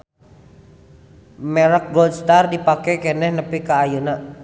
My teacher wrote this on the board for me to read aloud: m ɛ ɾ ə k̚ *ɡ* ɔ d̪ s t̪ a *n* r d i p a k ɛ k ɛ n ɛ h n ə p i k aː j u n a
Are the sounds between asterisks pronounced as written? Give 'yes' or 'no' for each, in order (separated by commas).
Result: yes, no